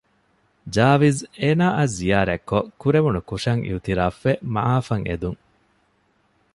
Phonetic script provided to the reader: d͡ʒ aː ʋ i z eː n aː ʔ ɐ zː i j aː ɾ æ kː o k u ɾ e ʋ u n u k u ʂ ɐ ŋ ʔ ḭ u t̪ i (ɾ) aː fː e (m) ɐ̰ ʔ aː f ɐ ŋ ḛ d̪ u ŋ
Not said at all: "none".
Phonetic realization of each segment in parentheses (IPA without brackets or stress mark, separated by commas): ɾ, m